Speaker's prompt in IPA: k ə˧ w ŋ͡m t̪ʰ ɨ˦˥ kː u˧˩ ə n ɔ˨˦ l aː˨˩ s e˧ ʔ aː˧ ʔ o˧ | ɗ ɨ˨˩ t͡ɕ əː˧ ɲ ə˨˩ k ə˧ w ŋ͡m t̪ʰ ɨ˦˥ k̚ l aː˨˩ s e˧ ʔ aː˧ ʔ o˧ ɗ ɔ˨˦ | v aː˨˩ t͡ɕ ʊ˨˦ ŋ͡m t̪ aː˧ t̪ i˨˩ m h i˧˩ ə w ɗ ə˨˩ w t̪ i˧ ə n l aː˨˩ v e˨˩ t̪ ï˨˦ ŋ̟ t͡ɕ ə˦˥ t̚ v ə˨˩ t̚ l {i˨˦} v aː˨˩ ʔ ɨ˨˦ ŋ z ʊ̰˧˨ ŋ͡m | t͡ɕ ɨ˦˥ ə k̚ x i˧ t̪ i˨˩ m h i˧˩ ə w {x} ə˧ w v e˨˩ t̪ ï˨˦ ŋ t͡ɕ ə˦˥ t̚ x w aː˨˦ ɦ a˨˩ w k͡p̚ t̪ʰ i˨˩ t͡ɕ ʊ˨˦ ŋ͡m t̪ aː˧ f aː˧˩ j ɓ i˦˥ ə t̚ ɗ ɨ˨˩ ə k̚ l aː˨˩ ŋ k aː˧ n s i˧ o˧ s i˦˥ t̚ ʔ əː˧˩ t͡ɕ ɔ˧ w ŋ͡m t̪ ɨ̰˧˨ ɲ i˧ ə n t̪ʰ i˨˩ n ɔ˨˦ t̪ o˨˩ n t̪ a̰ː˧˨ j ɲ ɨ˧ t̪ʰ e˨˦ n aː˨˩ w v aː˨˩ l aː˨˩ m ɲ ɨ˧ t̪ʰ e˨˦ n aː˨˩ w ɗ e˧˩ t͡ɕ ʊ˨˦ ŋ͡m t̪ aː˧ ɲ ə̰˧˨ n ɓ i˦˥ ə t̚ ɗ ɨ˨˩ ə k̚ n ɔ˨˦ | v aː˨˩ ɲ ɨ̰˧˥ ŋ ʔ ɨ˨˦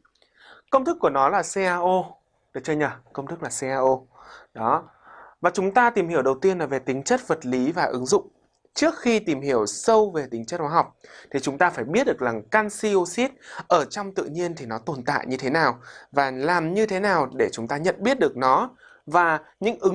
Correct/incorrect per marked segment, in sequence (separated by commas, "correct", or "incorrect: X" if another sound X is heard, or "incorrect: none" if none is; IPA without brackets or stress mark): correct, incorrect: s